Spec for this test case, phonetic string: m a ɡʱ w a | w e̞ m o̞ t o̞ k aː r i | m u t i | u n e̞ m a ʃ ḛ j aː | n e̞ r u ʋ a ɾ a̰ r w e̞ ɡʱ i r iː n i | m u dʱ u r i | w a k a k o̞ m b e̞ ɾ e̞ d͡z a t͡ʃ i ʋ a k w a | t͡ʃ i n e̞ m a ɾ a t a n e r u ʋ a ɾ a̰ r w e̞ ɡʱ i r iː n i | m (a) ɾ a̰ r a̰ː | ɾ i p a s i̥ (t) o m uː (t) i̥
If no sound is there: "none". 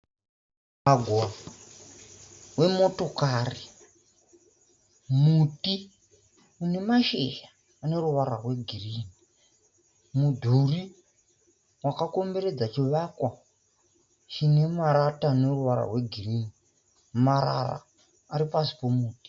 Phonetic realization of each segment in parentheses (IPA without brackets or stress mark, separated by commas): a, p, t